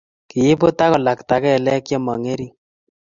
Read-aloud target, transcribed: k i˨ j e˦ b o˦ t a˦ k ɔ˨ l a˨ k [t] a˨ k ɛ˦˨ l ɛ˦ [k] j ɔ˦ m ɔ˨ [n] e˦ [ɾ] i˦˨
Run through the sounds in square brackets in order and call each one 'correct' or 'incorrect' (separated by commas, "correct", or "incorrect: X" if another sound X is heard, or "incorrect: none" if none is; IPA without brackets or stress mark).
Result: correct, correct, incorrect: ŋ, correct